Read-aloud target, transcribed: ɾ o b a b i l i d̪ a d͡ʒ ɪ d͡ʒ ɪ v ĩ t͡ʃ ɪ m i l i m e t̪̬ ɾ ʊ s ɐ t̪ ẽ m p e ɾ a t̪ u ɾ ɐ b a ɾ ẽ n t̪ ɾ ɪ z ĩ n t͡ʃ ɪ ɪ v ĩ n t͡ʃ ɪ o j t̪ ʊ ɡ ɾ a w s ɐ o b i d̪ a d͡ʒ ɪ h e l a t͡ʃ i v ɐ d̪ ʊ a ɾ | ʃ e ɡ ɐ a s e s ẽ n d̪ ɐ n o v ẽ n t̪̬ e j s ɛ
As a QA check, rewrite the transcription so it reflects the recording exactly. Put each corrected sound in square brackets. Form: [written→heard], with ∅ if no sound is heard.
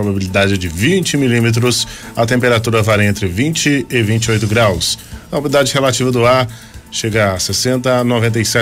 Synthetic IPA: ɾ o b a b i l i d̪ a d͡ʒ ɪ d͡ʒ ɪ v ĩ t͡ʃ ɪ m i l i m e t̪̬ ɾ ʊ s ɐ t̪ ẽ m p e ɾ a t̪ u ɾ ɐ [b→v] a ɾ ẽ n t̪ ɾ ɪ [z→v] ĩ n t͡ʃ ɪ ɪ v ĩ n t͡ʃ ɪ o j t̪ ʊ ɡ ɾ a w s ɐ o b i d̪ a d͡ʒ ɪ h e l a t͡ʃ i v ɐ d̪ ʊ a ɾ | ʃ e ɡ ɐ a s e s ẽ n [d̪→t̪] ɐ n o v ẽ n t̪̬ e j s ɛ